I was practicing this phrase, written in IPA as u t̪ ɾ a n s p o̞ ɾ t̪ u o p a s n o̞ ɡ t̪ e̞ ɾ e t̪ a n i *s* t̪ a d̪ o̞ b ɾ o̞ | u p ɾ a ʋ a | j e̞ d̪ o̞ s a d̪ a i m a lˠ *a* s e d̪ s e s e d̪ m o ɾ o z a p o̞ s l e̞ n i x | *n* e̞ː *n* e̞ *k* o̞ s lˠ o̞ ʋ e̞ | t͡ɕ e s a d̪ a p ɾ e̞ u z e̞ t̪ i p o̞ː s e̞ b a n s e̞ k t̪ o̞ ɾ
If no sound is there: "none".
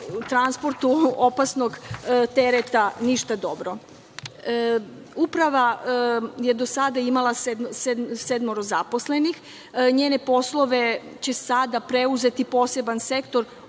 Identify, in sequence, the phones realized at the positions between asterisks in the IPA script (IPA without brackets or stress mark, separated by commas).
ʃ, a, ɲ, n, p